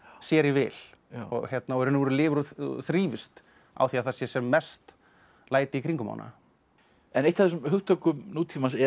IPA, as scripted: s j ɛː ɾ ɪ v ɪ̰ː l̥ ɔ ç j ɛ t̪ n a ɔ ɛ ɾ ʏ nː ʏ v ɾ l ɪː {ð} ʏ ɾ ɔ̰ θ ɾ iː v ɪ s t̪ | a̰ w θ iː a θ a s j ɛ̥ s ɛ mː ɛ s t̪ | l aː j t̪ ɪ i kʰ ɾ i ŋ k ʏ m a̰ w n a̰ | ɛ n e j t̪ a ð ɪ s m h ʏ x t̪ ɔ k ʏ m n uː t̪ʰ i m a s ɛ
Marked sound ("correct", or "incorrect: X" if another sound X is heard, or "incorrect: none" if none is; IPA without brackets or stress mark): incorrect: v